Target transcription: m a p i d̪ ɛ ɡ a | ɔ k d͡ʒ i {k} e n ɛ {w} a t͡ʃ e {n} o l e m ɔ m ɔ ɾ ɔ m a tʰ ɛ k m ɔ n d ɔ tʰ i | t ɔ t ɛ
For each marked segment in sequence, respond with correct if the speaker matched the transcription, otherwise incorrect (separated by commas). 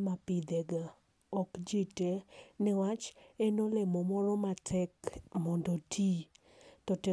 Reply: incorrect, correct, correct